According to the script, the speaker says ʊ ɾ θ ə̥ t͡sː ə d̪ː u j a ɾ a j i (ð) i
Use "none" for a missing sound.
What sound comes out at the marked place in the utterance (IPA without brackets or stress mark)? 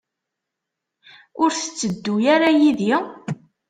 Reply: ð